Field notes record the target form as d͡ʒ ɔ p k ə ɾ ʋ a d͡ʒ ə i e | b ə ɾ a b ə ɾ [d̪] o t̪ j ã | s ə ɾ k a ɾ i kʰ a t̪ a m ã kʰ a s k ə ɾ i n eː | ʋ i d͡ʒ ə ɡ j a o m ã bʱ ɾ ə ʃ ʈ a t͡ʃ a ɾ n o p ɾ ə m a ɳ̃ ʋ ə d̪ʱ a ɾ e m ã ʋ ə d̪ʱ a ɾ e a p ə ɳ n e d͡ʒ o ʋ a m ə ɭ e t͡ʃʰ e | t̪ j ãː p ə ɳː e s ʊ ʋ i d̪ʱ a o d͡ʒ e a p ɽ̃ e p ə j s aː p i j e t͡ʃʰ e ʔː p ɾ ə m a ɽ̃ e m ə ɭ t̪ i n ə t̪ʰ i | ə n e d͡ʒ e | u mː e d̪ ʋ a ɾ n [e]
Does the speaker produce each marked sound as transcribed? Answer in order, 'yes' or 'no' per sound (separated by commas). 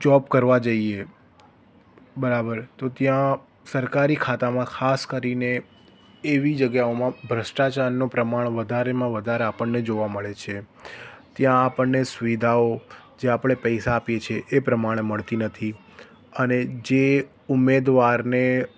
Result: no, yes